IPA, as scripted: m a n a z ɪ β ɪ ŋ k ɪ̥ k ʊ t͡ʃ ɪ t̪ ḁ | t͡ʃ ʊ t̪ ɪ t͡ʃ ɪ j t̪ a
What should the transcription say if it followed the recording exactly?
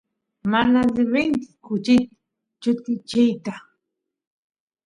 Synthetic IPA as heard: m a n a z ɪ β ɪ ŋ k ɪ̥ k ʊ t͡ʃ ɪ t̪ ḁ | t͡ʃ ʊ t̪ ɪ t͡ʃ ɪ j t̪ a